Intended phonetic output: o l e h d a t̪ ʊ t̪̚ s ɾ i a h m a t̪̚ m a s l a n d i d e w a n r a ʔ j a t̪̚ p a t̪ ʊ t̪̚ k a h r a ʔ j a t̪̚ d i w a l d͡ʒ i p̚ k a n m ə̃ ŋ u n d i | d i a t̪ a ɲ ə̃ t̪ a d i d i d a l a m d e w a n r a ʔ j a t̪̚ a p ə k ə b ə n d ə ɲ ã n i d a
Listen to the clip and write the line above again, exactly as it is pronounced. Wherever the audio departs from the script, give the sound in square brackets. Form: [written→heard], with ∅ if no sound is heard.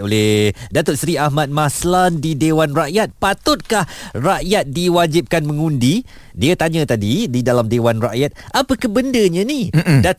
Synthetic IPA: o l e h d a t̪ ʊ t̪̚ s ɾ i a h m a t̪̚ m a s l a n d i d e w a n r a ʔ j a t̪̚ p a t̪ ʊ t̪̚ k a h r a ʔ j a t̪̚ d i w a [l→∅] d͡ʒ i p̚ k a n m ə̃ ŋ u n d i | d i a t̪ a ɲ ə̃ t̪ a d i d i d a l a m d e w a n r a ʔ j a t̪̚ a p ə k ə b ə n d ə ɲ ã n i d a